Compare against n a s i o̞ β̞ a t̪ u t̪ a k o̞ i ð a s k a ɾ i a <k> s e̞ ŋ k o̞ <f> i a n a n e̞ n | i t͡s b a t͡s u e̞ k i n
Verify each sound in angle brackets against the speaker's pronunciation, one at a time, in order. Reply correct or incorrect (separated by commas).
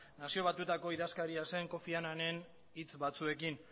incorrect, correct